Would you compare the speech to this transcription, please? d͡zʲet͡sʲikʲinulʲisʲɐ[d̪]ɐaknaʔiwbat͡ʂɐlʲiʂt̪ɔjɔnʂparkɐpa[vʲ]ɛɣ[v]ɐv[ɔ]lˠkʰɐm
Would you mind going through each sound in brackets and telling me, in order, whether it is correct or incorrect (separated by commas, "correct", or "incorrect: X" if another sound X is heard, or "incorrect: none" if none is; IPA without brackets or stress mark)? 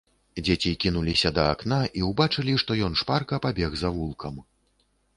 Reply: correct, incorrect: bʲ, incorrect: z, incorrect: u